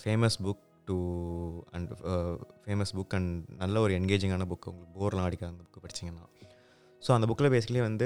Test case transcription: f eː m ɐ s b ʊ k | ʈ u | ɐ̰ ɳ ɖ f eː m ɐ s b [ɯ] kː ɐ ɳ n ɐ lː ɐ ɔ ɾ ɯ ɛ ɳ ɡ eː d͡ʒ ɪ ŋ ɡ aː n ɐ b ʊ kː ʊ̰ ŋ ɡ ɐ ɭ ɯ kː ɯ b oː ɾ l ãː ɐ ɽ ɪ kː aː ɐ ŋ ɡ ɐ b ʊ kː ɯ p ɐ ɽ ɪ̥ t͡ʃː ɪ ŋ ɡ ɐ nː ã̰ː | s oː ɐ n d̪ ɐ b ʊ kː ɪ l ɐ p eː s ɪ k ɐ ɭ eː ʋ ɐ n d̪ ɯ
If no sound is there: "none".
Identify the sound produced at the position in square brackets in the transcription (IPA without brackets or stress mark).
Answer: ʊ